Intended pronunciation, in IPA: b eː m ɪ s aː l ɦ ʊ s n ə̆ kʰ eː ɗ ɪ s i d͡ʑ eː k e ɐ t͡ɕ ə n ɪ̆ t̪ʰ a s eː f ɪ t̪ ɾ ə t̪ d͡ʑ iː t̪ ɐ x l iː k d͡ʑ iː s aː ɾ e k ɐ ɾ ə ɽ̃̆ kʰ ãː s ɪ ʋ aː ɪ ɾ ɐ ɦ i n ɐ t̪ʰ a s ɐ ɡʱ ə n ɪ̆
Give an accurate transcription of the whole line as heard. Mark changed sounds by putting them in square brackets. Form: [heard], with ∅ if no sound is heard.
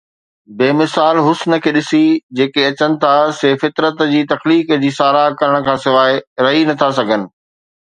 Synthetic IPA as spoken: b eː m ɪ s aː l ɦ ʊ s n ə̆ kʰ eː ɗ ɪ s i d͡ʑ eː k e ɐ t͡ɕ ə n ɪ̆ t̪ʰ a s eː f ɪ t̪ ɾ ə t̪ d͡ʑ iː t̪ ɐ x l iː k d͡ʑ iː s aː ɾ [a] k ɐ ɾ ə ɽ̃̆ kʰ ãː s ɪ ʋ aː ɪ ɾ ɐ ɦ i n ɐ t̪ʰ a s ɐ ɡʱ ə n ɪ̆